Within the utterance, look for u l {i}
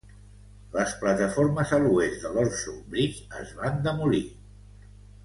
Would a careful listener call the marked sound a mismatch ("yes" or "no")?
no